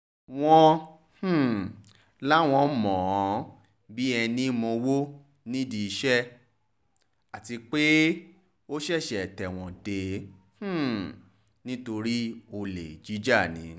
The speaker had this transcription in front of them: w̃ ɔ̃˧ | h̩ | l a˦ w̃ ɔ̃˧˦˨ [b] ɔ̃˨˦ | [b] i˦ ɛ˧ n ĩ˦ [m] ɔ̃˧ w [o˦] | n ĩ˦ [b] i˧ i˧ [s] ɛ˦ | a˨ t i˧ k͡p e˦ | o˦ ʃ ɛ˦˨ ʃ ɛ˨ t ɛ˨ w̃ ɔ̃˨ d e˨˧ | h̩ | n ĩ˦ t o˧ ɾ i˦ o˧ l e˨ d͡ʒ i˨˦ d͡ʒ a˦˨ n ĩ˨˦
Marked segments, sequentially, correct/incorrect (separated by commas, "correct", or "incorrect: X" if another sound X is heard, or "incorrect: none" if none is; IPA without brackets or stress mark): incorrect: m, correct, correct, correct, incorrect: d, incorrect: ʃ